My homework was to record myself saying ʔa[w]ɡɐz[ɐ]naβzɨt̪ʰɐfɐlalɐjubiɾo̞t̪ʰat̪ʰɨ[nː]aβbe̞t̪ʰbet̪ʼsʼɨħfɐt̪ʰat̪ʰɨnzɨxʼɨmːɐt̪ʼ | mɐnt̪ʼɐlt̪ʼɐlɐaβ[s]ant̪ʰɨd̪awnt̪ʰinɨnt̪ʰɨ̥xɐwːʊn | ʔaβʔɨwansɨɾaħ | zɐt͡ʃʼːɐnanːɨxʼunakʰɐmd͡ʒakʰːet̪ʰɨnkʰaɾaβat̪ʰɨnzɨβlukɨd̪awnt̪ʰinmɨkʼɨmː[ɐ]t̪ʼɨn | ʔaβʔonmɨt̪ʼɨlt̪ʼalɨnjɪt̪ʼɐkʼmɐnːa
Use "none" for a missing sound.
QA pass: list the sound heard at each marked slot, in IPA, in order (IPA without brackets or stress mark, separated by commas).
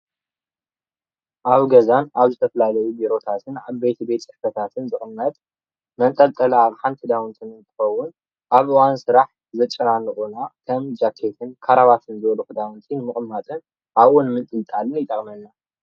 β, a, n, ħ, a